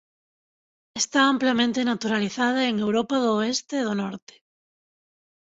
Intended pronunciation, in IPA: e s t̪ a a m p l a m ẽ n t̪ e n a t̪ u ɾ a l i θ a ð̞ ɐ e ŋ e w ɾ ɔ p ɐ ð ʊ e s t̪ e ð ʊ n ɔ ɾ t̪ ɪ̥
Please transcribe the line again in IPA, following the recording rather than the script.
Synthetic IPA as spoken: e s t̪ a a m p l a m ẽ n t̪ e n a t̪ u ɾ a l i θ a ð̞ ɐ e ŋ e w ɾ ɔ p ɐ ð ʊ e s t̪ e ð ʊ n ɔ ɾ t̪ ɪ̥